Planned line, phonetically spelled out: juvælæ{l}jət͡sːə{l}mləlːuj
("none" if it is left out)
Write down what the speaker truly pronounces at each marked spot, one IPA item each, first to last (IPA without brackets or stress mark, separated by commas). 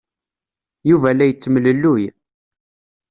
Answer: none, none